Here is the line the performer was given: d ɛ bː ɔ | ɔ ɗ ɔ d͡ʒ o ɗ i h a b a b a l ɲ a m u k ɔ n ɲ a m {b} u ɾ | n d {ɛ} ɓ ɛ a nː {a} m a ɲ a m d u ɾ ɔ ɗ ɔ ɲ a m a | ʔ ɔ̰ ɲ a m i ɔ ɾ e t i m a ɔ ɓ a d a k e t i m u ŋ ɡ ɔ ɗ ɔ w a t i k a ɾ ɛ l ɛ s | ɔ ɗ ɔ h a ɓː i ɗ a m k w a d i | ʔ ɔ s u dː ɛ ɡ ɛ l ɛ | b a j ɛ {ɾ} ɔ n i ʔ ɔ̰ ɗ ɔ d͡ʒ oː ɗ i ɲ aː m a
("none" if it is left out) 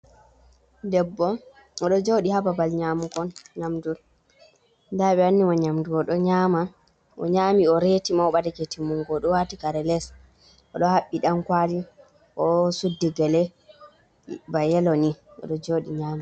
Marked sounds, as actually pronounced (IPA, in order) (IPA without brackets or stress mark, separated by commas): d, a, i, l